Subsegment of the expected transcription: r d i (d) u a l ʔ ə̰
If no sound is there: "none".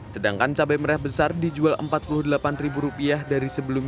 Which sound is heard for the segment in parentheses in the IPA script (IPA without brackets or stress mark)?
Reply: d͡ʒ